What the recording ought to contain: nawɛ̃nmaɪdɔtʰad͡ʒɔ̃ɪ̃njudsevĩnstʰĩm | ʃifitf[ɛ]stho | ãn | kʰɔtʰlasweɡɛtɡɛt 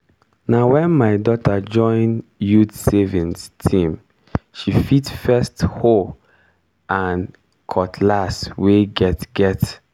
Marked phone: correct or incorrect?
correct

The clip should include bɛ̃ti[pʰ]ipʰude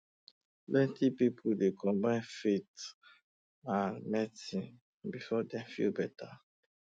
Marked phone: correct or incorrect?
incorrect: p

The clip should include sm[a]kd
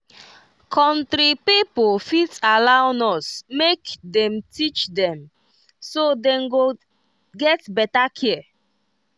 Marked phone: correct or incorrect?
incorrect: e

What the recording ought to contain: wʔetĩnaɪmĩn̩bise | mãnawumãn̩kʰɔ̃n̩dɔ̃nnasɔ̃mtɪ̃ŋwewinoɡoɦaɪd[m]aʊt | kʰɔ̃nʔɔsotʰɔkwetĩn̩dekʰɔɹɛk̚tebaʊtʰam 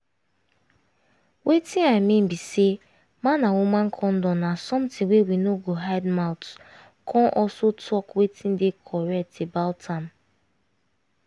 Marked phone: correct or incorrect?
correct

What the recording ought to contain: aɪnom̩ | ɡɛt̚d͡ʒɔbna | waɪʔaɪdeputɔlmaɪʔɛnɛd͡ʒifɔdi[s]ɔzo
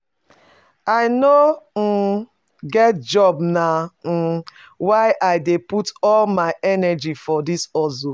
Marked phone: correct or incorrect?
correct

